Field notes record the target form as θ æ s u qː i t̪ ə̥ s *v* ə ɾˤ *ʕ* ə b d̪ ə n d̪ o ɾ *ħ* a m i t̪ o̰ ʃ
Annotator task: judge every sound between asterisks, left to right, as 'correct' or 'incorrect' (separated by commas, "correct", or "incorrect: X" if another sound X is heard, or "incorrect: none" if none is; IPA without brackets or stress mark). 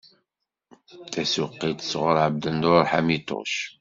incorrect: ʁ, correct, correct